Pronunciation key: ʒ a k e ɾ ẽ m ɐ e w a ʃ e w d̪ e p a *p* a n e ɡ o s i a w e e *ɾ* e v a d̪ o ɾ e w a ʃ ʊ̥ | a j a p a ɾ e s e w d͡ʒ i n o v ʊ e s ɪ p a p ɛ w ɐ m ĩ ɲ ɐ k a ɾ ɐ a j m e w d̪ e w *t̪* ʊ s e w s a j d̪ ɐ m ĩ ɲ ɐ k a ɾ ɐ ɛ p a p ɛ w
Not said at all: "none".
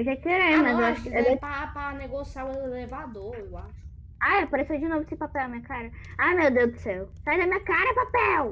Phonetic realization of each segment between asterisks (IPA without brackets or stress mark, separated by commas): p, l, d̪